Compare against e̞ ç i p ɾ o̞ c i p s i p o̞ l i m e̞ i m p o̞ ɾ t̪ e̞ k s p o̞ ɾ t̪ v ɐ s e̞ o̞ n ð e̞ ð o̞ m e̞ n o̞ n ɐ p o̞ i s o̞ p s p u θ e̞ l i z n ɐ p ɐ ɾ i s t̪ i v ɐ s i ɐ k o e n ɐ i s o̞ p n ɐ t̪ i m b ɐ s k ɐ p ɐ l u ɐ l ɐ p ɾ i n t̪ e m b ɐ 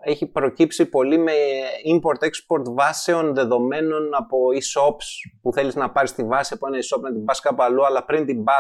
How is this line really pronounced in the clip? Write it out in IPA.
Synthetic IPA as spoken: e̞ ç i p ɾ o̞ c i p s i p o̞ l i m e̞ i m p o̞ ɾ t̪ e̞ k s p o̞ ɾ t̪ v ɐ s e̞ o̞ n ð e̞ ð o̞ m e̞ n o̞ n ɐ p o̞ i s o̞ p s p u θ e̞ l i z n ɐ p ɐ ɾ i s t̪ i v ɐ s i ɐ p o e n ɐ i s o̞ p n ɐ t̪ i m b ɐ s k ɐ p ɐ l u ɐ l ɐ p ɾ i n t̪ i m b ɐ